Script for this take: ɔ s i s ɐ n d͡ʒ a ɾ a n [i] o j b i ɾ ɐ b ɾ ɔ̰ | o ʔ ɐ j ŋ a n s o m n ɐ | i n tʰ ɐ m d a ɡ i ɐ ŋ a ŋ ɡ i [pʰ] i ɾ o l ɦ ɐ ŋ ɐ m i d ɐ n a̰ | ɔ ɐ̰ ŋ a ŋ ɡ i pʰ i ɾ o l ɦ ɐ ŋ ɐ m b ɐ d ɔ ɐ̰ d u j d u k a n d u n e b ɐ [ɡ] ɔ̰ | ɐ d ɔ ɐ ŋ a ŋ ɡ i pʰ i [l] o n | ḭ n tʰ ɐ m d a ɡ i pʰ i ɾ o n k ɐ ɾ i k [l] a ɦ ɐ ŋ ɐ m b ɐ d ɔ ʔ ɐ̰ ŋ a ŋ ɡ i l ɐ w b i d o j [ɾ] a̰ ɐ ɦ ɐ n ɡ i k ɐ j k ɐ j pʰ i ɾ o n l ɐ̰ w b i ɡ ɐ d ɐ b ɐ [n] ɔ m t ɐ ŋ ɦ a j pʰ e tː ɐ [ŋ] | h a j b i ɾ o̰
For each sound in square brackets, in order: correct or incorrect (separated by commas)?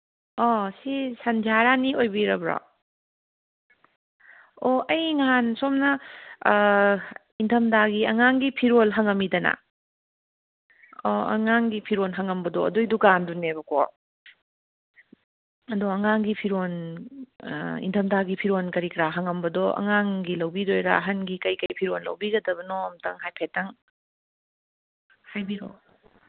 correct, correct, incorrect, incorrect, incorrect, correct, correct, correct